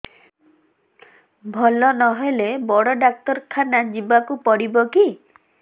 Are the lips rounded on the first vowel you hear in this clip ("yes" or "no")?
yes